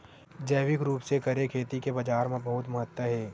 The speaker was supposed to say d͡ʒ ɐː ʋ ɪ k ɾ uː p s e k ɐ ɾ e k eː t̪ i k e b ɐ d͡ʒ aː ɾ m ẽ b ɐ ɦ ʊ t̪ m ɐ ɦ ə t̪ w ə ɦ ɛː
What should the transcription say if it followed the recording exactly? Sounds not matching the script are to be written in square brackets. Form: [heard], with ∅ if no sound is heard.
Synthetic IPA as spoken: d͡ʒ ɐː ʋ ɪ k ɾ uː p s e k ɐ ɾ e [kʰ] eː t̪ i k e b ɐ d͡ʒ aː ɾ m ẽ b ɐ ɦ ʊ t̪ m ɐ ɦ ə t̪ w ə ɦ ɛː